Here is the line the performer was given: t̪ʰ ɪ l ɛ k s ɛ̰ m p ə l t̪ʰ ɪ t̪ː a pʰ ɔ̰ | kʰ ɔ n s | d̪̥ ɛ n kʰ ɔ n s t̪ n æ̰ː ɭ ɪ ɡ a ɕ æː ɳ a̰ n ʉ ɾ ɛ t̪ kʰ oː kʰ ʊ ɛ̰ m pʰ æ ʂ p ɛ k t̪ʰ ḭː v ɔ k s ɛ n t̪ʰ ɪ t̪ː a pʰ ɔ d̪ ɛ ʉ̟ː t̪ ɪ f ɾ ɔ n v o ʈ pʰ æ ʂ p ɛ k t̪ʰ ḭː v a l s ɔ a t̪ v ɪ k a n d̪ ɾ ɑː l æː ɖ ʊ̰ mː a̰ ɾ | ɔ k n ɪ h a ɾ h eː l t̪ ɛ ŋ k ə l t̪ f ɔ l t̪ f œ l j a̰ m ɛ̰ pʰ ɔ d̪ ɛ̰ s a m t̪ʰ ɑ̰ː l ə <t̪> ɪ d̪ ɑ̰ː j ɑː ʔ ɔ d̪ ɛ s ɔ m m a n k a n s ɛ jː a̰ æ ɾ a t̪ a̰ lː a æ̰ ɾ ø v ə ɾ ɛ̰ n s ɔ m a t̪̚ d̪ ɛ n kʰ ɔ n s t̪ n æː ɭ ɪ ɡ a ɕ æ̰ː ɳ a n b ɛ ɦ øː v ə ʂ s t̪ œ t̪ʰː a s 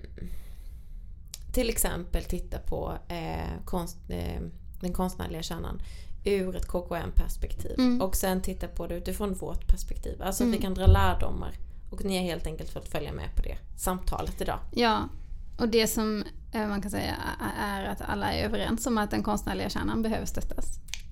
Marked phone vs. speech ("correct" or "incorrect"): correct